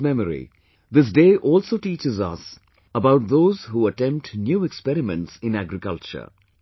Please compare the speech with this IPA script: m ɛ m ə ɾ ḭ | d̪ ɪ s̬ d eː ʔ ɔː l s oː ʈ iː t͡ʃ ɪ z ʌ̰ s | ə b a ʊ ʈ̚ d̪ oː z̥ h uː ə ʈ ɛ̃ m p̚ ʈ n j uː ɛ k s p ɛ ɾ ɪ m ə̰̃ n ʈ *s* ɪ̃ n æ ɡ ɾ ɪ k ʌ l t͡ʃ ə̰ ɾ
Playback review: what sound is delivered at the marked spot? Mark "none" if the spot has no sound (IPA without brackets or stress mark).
s